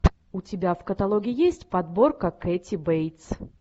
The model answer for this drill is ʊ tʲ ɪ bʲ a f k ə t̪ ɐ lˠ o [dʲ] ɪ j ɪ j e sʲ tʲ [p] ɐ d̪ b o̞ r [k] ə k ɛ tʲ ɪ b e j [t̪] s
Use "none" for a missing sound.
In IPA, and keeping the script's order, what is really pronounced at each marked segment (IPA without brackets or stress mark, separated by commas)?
ɡʲ, p, k, t̪